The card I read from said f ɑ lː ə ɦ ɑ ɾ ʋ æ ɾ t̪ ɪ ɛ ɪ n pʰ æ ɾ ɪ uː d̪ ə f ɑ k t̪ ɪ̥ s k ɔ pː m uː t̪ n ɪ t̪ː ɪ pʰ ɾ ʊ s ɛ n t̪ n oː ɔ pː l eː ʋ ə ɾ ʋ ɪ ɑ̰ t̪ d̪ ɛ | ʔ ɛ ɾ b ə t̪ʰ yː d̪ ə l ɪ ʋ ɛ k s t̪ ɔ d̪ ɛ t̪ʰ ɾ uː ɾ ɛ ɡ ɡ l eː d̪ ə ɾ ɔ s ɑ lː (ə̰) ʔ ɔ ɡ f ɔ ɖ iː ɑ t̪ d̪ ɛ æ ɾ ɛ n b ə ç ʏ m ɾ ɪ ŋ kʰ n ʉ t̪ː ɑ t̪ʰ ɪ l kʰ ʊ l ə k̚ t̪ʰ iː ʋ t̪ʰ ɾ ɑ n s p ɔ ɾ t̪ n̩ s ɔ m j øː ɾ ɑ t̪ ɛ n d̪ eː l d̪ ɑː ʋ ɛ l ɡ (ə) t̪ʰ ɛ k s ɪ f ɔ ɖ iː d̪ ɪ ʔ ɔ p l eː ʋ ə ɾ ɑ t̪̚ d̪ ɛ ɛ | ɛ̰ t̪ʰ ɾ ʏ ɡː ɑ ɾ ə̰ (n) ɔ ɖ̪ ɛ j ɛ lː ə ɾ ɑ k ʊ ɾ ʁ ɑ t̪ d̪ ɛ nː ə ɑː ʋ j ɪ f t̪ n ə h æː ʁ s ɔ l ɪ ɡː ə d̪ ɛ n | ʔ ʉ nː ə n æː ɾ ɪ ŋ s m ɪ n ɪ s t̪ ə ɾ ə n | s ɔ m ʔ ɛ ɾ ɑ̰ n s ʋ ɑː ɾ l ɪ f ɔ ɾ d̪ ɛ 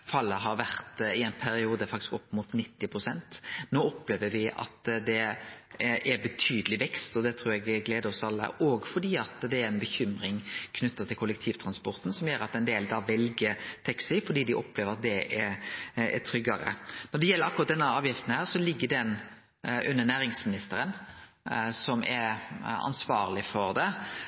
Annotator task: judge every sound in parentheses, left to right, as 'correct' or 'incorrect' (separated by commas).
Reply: correct, correct, correct